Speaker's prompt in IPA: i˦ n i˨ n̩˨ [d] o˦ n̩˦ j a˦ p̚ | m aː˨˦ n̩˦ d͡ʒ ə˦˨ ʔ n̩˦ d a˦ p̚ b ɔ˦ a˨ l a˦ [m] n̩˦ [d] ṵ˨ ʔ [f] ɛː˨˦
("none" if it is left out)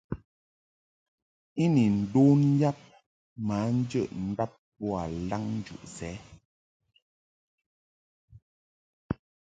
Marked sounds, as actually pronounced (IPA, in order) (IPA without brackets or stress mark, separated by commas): d, ŋ, d͡ʒ, s